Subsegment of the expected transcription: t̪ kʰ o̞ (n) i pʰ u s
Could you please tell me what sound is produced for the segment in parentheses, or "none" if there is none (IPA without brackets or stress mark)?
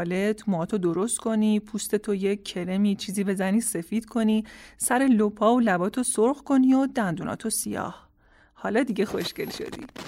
n